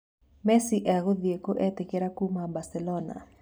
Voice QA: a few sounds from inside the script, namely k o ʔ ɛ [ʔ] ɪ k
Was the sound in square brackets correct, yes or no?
no